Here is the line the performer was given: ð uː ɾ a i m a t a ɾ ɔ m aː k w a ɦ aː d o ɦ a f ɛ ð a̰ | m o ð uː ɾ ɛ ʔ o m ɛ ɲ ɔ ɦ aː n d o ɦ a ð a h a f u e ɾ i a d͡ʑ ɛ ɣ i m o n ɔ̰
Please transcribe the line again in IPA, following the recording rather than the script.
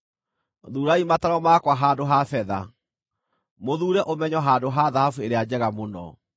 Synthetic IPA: ð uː ɾ a i m a t a ɾ ɔ m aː k w a ɦ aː d o ɦ a f ɛ ð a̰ | m o ð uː ɾ ɛ ʔ o m ɛ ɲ ɔ ɦ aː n d o ɦ a ð a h a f u e ɾ e a d͡ʑ ɛ ɣ a m o n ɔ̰